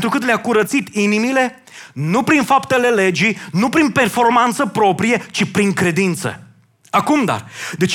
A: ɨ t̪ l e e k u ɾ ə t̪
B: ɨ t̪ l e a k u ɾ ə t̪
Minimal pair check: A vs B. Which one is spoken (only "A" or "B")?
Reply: B